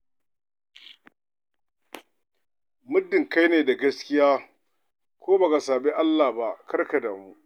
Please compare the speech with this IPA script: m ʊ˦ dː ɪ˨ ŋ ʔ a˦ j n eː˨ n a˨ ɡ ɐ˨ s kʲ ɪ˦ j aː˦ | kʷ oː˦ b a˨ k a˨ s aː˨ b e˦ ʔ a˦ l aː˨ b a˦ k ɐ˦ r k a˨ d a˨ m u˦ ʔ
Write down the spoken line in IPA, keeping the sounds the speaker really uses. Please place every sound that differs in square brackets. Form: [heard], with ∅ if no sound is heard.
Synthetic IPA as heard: m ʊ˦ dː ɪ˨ ŋ [k] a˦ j n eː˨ [d] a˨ ɡ [ɐ˦] s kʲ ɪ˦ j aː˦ | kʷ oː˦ b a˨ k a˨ s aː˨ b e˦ ʔ a˦ [lː] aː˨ b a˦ k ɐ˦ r k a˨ d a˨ m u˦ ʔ